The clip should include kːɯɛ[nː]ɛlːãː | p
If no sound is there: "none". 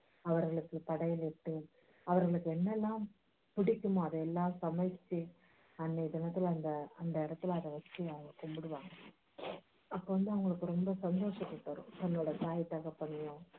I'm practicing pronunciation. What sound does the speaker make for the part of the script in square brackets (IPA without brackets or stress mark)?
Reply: nː